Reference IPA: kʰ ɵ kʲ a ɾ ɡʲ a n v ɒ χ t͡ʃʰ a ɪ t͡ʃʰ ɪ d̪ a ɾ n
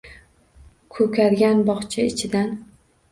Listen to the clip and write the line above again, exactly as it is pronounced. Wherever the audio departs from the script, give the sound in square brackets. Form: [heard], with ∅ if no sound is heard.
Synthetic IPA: kʰ ɵ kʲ a ɾ ɡʲ a n [b] ɒ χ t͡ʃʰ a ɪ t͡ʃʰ ɪ d̪ a [∅] n